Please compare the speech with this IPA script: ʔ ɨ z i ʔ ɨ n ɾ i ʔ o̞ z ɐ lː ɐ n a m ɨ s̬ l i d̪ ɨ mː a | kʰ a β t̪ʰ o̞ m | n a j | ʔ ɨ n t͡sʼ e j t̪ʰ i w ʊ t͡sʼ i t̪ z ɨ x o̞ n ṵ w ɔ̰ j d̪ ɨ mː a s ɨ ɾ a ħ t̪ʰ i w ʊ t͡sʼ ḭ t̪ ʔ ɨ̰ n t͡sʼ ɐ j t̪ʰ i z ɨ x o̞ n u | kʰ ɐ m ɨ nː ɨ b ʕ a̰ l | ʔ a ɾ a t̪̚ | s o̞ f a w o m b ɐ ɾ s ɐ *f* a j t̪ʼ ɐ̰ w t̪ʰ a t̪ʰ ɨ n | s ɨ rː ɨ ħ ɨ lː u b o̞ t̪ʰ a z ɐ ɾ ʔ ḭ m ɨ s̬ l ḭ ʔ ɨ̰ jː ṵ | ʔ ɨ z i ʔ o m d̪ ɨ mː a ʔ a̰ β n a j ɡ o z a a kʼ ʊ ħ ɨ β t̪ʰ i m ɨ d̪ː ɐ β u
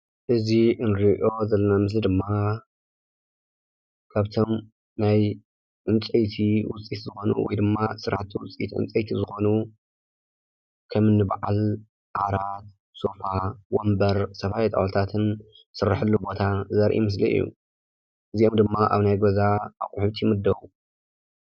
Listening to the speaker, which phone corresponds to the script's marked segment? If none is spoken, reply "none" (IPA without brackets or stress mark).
f